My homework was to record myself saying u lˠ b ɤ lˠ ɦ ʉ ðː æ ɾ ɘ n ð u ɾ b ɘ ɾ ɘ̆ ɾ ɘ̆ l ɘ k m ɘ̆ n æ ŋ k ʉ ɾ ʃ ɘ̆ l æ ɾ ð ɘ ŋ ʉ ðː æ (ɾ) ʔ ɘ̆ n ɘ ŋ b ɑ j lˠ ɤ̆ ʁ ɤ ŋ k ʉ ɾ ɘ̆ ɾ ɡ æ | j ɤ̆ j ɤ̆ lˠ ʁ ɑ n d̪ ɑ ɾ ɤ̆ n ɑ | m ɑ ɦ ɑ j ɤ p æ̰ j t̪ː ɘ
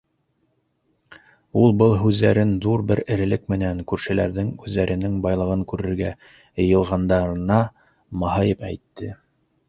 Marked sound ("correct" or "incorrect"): correct